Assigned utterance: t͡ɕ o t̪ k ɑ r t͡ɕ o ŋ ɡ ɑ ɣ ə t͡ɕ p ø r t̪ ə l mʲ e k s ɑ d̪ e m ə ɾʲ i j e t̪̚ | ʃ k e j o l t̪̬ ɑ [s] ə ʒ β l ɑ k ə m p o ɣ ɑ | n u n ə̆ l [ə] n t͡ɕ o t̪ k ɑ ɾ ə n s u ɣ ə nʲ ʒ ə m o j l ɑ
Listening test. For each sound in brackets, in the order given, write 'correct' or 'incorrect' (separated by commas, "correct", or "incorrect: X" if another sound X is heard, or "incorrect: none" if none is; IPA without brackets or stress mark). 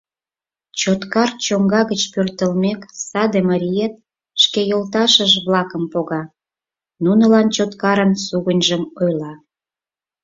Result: incorrect: ʃ, incorrect: ɑ